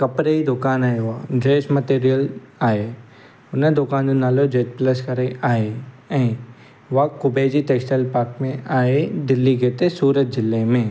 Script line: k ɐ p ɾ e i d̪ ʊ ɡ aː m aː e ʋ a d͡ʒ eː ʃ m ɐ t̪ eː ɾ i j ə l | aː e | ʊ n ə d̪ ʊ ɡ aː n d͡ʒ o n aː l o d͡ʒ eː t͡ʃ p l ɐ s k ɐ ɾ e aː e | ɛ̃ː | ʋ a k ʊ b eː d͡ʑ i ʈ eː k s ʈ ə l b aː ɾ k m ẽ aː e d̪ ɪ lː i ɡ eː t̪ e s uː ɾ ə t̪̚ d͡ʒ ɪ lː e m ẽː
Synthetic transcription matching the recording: k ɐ p ɾ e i d̪ ʊ k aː n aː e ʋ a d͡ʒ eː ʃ m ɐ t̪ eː ɾ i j ə l | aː e | ʊ n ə d̪ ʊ k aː n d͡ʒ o n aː l o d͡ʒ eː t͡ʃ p l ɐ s k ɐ ɾ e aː e | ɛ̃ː | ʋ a k ʊ b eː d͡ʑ i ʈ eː k s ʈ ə l p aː ɾ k m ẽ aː e d̪ ɪ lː i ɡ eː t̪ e s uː ɾ ə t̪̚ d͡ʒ ɪ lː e m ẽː